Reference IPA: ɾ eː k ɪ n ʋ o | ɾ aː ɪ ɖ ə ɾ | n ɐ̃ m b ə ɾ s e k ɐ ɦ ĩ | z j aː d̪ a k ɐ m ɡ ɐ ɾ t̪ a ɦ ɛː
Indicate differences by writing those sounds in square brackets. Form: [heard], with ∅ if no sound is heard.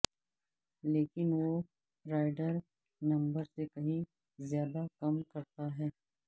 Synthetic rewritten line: [l] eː k ɪ n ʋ o | ɾ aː ɪ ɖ ə ɾ | n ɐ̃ m b ə ɾ s e k ɐ ɦ ĩ | z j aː d̪ a k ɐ m [k] ɐ ɾ t̪ a ɦ ɛː